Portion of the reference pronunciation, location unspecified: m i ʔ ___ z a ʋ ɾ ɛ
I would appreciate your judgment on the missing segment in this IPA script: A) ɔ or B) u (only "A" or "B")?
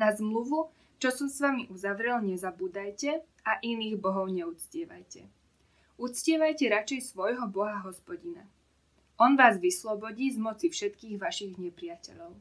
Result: B